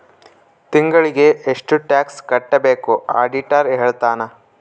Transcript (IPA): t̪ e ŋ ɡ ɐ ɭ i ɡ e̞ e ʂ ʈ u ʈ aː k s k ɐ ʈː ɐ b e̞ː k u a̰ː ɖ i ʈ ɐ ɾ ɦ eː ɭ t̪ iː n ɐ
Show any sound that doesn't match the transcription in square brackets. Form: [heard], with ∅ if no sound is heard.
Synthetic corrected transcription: t̪ [i] ŋ ɡ ɐ ɭ i ɡ e̞ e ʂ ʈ u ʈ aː k s k ɐ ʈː ɐ b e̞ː k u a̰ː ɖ i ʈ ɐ ɾ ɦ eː ɭ t̪ [aː] n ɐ